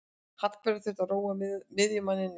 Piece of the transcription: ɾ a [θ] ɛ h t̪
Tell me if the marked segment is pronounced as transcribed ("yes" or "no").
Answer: yes